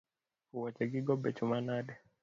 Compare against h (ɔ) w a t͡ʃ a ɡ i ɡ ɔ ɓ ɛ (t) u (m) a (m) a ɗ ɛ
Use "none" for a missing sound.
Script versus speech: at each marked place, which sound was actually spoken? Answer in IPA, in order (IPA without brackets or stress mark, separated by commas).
u, t͡ʃ, m, n